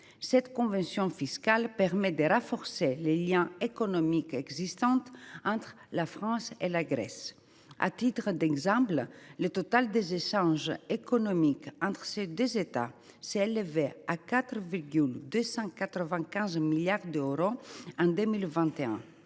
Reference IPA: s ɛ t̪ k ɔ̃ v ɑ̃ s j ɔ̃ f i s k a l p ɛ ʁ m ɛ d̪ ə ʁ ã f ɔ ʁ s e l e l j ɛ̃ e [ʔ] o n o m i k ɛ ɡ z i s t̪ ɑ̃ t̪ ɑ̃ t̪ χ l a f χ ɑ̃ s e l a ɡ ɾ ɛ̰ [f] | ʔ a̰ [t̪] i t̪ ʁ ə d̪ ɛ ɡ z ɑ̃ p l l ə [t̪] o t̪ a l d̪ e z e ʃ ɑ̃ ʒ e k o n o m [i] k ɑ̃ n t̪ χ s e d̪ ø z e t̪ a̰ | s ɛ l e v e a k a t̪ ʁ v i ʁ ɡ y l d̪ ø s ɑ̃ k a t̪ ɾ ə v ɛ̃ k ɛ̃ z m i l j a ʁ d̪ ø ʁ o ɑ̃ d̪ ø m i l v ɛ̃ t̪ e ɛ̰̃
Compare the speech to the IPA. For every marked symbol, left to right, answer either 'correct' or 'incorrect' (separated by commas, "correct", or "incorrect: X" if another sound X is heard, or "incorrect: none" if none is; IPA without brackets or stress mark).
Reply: incorrect: k, incorrect: s, correct, correct, correct